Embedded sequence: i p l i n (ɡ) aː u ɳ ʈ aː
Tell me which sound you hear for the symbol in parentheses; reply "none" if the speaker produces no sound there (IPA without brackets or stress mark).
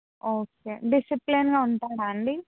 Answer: ɡ